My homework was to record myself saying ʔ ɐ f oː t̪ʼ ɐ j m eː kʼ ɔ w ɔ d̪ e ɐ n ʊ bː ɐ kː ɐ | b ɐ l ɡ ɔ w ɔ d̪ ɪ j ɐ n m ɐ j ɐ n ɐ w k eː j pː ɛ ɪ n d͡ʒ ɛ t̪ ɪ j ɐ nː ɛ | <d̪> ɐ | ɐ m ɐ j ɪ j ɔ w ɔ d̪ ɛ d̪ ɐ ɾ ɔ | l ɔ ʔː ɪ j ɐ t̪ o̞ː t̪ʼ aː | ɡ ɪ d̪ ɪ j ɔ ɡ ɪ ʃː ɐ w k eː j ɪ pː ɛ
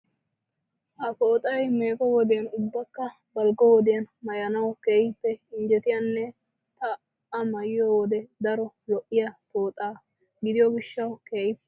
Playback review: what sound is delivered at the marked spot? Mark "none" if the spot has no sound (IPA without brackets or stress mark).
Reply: t̪